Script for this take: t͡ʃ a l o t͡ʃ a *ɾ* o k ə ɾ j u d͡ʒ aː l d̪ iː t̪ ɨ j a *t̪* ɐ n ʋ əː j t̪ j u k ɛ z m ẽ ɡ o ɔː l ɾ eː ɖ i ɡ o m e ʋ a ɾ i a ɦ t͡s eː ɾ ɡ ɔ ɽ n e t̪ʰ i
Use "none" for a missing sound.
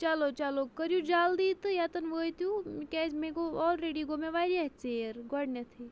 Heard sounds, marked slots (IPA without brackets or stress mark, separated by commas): l, t̪